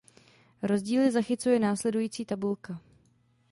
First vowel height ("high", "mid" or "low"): mid